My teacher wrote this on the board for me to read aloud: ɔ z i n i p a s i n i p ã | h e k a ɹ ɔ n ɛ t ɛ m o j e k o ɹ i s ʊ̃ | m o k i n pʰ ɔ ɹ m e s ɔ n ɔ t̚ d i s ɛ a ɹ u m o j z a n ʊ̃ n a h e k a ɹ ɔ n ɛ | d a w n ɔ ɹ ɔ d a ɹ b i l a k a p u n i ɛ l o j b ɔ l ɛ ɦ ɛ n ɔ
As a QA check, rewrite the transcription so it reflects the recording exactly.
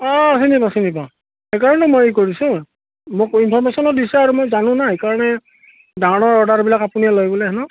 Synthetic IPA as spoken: ɔ s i n i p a s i n i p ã | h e k a ɹ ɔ n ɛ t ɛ m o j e k o ɹ i s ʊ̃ | m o k i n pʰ ɔ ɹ m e s ɔ n ɔ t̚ d i s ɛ a ɹ u m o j z a n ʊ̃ n a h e k a ɹ ɔ n ɛ | d a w n ɔ ɹ ɔ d a ɹ b i l a k a p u n i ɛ l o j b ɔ l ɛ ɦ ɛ n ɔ